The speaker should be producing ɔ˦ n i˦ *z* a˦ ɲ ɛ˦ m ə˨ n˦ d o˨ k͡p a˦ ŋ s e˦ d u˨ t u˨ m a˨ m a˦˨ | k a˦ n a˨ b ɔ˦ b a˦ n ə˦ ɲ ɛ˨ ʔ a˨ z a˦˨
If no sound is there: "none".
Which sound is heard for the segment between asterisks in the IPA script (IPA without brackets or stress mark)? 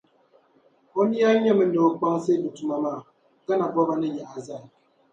none